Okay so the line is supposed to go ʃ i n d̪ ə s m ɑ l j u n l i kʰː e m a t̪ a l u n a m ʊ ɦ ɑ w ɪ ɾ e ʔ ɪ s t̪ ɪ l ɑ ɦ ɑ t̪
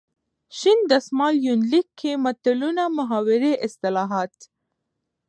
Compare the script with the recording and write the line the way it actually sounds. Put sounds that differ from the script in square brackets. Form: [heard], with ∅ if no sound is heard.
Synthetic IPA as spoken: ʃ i n d̪ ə s m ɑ l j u n l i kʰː e m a t̪ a l u n a m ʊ ɦ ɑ w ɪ ɾ e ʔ ɪ s t̪ ɪ l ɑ ɦ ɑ t̪

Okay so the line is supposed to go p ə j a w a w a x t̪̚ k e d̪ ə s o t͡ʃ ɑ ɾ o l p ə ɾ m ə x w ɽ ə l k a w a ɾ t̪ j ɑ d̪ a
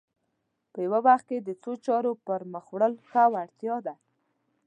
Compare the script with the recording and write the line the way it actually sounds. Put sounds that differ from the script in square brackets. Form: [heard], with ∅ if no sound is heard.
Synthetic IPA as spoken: p ə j a w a w a x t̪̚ k e d̪ ə [t͡s] o t͡ʃ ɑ ɾ o [∅] p ə ɾ m ə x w ɽ ə l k a w a [ɽ] t̪ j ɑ d̪ a

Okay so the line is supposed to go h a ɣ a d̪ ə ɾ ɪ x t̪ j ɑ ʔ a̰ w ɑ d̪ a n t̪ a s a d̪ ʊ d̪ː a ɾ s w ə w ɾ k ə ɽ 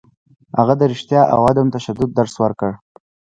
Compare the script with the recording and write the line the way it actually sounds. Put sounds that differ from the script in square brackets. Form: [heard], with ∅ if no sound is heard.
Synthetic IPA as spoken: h a ɣ a d̪ ə ɾ ɪ [ʃ] t̪ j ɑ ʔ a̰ w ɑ d̪ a [m] t̪ a [ʃ] a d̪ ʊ d̪ː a ɾ s w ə [∅] ɾ k ə ɽ

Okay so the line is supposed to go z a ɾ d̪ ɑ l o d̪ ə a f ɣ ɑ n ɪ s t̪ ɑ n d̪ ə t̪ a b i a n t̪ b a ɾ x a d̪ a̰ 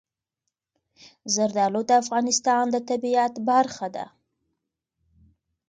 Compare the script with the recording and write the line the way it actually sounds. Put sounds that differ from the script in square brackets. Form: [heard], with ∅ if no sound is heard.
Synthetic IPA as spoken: z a ɾ d̪ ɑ l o d̪ ə a f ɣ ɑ n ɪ s t̪ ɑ n d̪ ə t̪ a b i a [∅] t̪ b a ɾ x a d̪ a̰

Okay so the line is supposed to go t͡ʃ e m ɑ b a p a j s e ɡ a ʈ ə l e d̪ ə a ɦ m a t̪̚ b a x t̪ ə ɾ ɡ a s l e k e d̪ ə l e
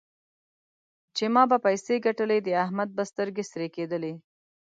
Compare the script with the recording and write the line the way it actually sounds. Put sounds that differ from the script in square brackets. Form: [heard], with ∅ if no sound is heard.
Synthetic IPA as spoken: t͡ʃ e m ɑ b a p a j s e ɡ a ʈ ə l e d̪ ə a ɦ m a [d̪̚] b a [s] t̪ ə ɾ ɡ [e] s [ɾ] e k e d̪ ə l e

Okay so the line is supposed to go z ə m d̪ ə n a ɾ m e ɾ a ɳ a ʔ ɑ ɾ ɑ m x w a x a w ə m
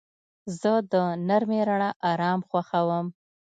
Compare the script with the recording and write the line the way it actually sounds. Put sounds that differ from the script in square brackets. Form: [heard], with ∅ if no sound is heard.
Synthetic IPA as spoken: z ə [∅] d̪ ə n a ɾ m e ɾ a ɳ a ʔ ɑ ɾ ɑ m x w a x a w ə m

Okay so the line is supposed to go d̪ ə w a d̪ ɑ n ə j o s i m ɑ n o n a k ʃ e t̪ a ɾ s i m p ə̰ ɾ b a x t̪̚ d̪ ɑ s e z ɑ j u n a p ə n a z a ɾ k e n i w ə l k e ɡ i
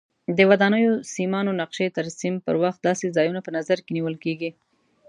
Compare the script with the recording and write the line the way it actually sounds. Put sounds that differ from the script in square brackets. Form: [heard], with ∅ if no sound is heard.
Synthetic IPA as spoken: d̪ ə w a d̪ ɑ n ə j o s i m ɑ n o n a [q] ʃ e t̪ a ɾ s i m p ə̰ ɾ [w] a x t̪̚ d̪ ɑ s e z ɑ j u n a p ə n a z a ɾ k e n i w ə l k e ɡ i

